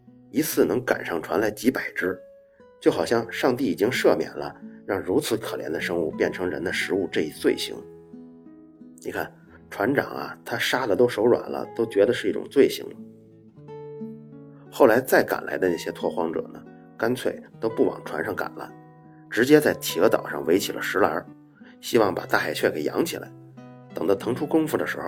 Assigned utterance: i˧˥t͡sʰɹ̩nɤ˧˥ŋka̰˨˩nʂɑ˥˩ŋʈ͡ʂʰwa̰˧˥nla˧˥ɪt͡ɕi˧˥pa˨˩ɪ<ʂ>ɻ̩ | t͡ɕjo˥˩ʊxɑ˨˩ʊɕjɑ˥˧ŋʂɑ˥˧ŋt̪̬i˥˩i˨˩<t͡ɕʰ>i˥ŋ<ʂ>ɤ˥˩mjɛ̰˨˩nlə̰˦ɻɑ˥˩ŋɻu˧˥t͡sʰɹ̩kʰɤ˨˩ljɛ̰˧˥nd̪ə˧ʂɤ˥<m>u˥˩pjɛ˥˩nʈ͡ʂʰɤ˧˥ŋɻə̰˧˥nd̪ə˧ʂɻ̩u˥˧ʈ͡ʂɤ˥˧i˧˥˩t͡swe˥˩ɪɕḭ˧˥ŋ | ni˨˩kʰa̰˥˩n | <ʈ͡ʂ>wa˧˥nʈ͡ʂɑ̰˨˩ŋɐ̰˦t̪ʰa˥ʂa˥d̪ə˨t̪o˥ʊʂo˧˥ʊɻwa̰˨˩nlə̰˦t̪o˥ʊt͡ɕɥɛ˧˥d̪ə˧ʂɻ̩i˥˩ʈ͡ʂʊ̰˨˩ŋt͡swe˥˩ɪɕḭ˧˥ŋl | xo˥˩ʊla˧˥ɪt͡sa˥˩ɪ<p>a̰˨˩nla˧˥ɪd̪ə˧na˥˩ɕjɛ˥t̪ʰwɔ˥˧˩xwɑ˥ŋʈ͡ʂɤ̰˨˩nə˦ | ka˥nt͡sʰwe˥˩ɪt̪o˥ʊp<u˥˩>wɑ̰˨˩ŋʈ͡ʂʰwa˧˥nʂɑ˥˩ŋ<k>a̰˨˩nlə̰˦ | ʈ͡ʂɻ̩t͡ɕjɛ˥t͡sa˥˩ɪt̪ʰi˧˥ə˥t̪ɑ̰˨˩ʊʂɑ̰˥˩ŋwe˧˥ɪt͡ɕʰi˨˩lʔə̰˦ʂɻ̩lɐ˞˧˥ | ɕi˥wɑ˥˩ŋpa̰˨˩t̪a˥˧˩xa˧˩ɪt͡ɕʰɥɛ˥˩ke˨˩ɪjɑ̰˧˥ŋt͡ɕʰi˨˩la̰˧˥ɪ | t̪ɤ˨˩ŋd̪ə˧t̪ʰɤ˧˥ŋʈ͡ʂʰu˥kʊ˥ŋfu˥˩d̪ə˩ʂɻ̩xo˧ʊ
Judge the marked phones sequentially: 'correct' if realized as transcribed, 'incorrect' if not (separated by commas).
incorrect, incorrect, correct, incorrect, incorrect, incorrect, correct, correct